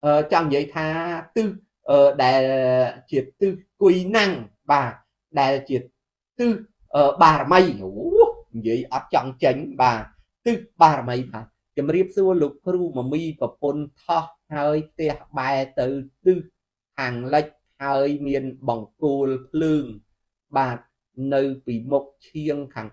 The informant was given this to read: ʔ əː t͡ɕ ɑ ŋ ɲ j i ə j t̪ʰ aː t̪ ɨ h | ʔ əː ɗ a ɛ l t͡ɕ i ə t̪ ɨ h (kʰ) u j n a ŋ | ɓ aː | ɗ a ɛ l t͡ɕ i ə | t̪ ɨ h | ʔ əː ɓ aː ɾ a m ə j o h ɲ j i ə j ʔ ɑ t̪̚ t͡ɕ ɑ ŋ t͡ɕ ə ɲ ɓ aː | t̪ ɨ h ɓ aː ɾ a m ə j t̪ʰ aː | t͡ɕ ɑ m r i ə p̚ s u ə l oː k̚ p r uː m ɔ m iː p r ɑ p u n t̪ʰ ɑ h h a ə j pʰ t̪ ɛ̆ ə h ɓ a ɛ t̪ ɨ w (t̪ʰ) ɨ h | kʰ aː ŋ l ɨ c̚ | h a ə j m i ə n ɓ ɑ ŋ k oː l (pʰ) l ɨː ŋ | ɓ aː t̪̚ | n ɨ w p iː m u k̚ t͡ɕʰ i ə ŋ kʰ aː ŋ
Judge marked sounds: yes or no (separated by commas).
no, no, yes